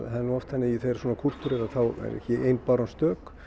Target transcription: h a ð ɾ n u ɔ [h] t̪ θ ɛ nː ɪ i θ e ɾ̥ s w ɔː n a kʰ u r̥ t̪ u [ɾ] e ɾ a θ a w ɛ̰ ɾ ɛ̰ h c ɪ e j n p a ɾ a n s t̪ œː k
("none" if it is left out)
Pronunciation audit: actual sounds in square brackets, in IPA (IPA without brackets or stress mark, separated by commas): f, ɾ